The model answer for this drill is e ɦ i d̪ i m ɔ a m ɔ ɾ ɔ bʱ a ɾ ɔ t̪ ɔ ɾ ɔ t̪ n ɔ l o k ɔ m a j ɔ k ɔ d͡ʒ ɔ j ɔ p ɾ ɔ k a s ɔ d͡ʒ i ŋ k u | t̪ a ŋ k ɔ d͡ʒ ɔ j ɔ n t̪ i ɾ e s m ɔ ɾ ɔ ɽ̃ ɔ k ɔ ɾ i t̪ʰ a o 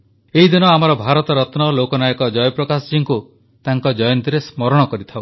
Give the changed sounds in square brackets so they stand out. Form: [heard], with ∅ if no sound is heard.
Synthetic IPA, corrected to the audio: e ɦ i d̪ i [n] ɔ a m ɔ ɾ ɔ bʱ a ɾ ɔ t̪ ɔ ɾ ɔ t̪ n ɔ l o k ɔ [n] a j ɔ k ɔ d͡ʒ ɔ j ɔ p ɾ ɔ k a s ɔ d͡ʒ i ŋ k u | t̪ a ŋ k ɔ d͡ʒ ɔ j ɔ n t̪ i ɾ e s m ɔ ɾ ɔ ɽ̃ ɔ k ɔ ɾ i t̪ʰ a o